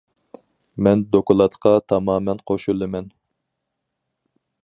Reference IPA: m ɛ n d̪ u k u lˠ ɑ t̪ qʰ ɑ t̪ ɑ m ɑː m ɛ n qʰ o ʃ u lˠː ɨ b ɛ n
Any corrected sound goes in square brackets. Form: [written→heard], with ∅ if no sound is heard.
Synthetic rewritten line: m ɛ n d̪ [u→o] k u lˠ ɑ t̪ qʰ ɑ [t̪→t̪ʰ] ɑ m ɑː m ɛ n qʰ o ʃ u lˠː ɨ [b→m] ɛ n